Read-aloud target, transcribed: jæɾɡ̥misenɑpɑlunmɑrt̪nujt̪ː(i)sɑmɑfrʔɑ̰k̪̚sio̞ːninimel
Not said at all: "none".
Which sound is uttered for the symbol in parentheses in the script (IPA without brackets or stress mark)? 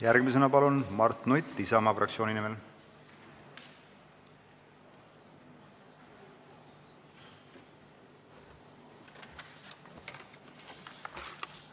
i